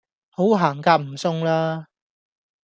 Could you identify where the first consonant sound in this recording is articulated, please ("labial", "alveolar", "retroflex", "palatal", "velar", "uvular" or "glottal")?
glottal